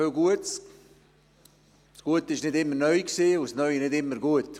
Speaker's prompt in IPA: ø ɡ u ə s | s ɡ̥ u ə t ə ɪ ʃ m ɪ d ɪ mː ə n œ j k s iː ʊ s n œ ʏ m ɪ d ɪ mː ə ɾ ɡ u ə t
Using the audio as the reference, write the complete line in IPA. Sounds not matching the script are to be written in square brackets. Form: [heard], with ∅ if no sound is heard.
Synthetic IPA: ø ɡ u ə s | s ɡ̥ u ə t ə ɪ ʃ [n] ɪ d ɪ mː ə n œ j k s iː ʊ s n œ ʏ [n] ɪ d ɪ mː ə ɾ ɡ u ə t